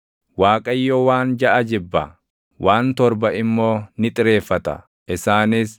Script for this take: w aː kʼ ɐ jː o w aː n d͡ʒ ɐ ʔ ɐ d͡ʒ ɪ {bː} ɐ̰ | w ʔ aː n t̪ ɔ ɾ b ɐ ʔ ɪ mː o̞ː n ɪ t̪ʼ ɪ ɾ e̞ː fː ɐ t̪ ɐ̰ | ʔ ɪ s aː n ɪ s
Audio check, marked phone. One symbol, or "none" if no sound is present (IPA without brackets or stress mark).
bː